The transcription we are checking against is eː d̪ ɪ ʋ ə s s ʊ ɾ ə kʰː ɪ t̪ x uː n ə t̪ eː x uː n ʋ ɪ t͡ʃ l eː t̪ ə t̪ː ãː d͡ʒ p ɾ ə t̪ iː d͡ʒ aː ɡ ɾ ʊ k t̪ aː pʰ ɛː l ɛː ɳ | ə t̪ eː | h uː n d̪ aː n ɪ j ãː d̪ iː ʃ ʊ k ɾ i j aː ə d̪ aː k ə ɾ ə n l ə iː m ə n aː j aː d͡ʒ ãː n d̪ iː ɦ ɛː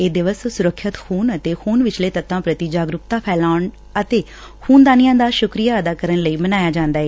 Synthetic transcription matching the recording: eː d̪ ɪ ʋ ə s s ʊ ɾ ə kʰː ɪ t̪ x uː n ə t̪ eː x uː n ʋ ɪ t͡ʃ l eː t̪ ə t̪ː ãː p ɾ ə t̪ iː d͡ʒ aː ɡ ɾ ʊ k t̪ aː pʰ ɛː l aː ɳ | ə t̪ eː | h uː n d̪ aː n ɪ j ãː d̪ aː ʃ ʊ k ɾ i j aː ə d̪ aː k ə ɾ ə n l ə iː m ə n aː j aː d͡ʒ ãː n d̪ aː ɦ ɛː